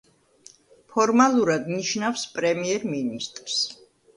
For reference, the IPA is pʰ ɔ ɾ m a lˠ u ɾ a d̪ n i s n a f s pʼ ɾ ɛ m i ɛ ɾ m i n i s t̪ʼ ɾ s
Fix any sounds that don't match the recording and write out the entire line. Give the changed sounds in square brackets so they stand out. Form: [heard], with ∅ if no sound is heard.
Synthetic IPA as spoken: pʰ ɔ ɾ m a lˠ u ɾ a d̪ n i [ʃ] n a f s pʼ ɾ ɛ m i ɛ ɾ m i n i s t̪ʼ ɾ s